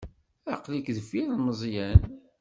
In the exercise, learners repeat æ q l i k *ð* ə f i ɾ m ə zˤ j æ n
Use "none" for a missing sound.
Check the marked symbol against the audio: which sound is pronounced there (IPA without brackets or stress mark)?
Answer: ð